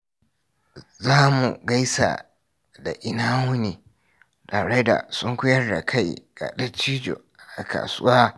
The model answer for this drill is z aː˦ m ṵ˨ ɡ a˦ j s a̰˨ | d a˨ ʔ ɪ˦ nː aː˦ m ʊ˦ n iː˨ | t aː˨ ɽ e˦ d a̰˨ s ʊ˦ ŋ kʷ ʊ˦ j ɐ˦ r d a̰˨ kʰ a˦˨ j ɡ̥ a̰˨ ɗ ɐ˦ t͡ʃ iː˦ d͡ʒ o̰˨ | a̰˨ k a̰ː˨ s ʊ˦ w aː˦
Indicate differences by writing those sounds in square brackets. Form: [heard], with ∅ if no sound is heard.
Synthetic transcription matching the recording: z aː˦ m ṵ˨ ɡ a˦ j s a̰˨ | d a˨ ʔ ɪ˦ [n] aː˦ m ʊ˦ n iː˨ | t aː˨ ɽ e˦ d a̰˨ s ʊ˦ ŋ kʷ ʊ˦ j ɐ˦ r d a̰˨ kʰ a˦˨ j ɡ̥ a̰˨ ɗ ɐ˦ t͡ʃ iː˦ d͡ʒ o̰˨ | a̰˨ k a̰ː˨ s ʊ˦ w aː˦